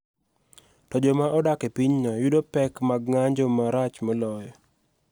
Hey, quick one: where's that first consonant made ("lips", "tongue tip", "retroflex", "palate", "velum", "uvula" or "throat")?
tongue tip